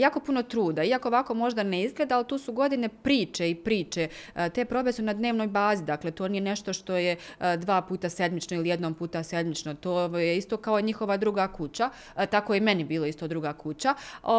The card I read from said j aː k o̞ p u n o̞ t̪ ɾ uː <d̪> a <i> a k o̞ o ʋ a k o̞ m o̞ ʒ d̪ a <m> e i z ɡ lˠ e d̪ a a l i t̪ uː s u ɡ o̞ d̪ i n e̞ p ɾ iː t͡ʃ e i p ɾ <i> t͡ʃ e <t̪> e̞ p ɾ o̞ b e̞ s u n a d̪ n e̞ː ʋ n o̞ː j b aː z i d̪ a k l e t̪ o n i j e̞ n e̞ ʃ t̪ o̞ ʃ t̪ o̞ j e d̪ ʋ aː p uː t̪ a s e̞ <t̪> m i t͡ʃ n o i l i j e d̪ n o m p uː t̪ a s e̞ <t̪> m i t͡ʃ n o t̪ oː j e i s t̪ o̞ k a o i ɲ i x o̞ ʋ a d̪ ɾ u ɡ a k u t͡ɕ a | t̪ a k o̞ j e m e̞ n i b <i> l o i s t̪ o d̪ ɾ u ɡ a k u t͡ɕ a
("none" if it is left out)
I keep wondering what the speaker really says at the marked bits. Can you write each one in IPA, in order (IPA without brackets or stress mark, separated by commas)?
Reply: d̪, i, n, iː, t̪, d̪, d̪, iː